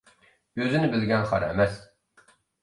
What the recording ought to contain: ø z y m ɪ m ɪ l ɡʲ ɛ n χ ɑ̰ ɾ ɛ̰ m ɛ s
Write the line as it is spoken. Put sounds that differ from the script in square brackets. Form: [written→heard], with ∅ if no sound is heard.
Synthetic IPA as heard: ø z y [m→n] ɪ [m→b] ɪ l ɡʲ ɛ n χ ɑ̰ ɾ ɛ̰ m ɛ s